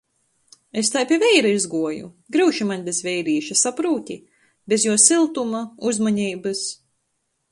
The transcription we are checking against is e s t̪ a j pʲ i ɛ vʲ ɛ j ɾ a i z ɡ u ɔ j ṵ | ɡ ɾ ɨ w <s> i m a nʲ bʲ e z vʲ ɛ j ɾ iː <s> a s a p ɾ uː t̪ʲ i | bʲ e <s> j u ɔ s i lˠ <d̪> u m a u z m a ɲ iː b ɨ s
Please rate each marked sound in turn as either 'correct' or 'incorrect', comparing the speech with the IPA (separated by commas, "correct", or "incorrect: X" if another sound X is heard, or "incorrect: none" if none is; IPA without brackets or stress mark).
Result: incorrect: ʃ, incorrect: ʃ, incorrect: z, incorrect: t̪